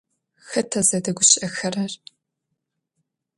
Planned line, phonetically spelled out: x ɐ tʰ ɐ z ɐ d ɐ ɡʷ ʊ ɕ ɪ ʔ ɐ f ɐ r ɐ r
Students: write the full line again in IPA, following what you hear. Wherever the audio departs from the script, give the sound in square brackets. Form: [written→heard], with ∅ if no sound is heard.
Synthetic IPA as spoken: x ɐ tʰ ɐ z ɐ d ɐ ɡʷ ʊ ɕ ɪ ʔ ɐ [f→x] ɐ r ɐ r